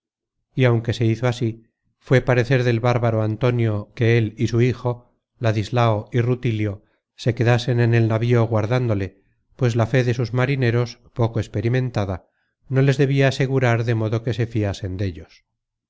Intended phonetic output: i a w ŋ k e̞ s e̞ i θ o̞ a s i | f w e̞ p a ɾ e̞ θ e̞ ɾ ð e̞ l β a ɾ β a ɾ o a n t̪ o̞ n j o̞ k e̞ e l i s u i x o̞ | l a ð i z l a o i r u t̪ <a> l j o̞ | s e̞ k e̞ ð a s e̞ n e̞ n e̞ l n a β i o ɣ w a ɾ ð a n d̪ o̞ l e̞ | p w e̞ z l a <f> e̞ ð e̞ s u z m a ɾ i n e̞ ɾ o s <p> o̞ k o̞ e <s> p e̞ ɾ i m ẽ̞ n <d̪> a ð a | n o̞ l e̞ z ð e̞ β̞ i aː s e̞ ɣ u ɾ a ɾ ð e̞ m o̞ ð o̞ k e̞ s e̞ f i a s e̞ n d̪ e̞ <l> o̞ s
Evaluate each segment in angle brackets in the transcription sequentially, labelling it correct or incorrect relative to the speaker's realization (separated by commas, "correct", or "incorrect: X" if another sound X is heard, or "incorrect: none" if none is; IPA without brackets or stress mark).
incorrect: i, correct, correct, correct, incorrect: t̪, incorrect: ʎ